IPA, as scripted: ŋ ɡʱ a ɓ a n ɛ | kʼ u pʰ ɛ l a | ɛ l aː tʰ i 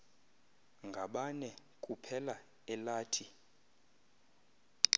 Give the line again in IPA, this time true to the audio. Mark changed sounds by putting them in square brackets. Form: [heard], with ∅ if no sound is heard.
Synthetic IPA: ŋ ɡʱ a ɓ a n ɛ | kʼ u pʰ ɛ l a | ɛ l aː tʰ i